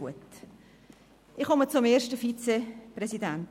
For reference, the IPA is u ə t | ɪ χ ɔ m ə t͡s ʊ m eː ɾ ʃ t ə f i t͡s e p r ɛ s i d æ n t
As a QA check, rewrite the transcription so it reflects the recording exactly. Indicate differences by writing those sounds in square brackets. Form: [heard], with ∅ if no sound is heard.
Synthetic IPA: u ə t | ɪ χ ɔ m ə t͡s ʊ m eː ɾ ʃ t ə f i t͡s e p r ɛ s i d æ n t